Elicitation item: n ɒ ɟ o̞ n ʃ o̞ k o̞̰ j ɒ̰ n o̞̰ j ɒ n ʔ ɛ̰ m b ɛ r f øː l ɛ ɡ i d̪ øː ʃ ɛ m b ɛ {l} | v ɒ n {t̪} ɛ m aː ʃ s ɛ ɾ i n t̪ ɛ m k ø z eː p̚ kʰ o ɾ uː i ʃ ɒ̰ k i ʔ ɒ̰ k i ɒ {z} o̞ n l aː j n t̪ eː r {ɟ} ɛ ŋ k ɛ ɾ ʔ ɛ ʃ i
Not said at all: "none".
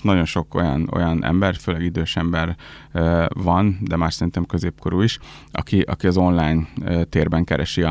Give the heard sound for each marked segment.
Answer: r, d̪, z, b

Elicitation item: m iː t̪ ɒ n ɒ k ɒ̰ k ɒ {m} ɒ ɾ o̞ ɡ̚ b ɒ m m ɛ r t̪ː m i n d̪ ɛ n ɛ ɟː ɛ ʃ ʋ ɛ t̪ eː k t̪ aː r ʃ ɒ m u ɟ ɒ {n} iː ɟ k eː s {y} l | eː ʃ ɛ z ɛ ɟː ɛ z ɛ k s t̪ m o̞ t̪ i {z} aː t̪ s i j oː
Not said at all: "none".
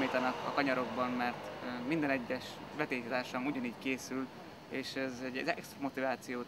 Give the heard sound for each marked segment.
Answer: ɲ, n, y, v

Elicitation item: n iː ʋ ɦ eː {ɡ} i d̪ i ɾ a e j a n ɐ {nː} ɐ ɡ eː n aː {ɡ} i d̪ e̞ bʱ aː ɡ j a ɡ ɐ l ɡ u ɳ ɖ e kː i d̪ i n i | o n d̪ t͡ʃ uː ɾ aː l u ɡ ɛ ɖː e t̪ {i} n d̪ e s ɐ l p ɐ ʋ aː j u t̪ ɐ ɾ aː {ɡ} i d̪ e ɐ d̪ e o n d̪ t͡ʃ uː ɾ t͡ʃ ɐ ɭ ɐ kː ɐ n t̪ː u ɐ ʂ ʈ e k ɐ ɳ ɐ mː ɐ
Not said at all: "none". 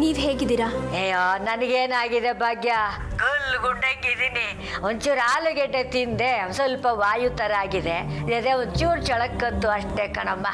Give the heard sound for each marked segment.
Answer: ɡ, n, ɡ, i, ɡ

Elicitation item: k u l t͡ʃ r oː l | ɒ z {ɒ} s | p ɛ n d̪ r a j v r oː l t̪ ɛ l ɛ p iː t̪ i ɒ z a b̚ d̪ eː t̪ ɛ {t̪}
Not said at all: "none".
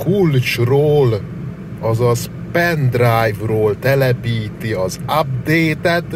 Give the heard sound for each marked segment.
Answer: ɒ, t̪

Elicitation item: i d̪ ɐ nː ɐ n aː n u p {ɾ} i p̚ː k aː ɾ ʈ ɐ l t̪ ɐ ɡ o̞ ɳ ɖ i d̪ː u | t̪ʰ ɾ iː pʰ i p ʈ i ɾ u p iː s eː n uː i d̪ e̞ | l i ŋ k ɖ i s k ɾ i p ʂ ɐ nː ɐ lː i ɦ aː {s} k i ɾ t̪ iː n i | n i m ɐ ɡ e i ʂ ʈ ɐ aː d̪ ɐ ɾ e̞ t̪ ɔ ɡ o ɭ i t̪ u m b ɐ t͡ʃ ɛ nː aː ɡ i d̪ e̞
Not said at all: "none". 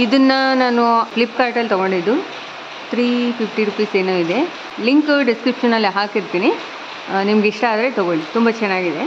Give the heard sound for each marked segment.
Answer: l, none

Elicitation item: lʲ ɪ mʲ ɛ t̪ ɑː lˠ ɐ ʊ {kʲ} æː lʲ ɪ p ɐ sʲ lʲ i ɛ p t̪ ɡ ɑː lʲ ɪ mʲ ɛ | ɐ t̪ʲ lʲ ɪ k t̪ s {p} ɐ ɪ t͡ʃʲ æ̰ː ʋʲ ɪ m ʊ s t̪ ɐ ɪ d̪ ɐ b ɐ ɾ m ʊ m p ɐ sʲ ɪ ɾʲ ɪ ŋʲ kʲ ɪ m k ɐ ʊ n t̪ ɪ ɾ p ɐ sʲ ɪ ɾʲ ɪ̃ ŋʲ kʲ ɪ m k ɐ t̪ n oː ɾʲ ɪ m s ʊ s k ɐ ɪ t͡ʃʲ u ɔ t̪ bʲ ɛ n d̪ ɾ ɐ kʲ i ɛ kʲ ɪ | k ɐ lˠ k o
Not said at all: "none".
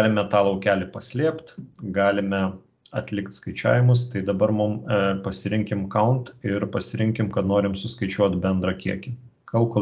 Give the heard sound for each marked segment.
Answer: kʲ, k

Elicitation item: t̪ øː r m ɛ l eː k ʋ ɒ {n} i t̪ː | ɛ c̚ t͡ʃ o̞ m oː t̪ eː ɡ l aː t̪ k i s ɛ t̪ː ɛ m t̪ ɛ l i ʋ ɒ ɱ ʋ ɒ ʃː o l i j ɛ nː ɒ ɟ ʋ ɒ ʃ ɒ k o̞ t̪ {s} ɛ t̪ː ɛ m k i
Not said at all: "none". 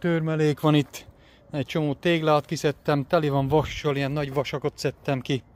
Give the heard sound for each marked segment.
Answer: n, s

